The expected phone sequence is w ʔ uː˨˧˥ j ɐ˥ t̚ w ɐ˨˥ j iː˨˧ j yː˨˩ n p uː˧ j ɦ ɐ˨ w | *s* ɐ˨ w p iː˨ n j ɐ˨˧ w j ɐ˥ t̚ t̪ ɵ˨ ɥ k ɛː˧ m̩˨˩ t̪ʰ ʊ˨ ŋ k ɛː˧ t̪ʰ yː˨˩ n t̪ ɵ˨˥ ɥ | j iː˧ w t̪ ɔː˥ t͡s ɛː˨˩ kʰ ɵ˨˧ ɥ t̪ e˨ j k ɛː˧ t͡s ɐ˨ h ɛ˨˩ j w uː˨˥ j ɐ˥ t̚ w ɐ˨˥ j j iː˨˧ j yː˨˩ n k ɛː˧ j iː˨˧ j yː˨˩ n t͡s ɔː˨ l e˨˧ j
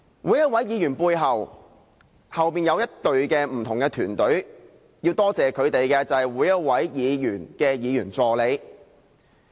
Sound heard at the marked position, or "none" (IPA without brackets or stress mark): h